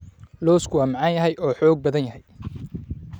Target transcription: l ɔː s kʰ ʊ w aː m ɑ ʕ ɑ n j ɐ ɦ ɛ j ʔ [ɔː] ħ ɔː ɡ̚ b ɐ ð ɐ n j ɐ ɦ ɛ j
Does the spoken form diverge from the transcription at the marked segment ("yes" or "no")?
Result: no